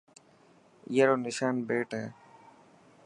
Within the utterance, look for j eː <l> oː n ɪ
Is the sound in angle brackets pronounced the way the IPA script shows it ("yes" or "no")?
no